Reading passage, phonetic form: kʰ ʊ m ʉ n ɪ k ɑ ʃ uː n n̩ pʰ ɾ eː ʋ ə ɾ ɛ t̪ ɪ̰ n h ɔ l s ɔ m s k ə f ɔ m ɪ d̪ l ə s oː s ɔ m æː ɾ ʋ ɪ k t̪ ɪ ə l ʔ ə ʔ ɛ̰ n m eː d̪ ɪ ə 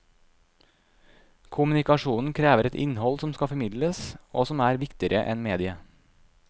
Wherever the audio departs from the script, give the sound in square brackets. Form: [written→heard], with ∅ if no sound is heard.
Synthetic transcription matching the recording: kʰ ʊ m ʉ n ɪ k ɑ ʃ uː n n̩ [pʰ→kʰ] ɾ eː ʋ ə ɾ ɛ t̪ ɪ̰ n h ɔ l s ɔ m s k [ə→ɑ] f ɔ m ɪ d̪ l ə s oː s ɔ m æː ɾ ʋ ɪ k t̪ ɪ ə [l→ɾ] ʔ ə ʔ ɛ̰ n m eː d̪ ɪ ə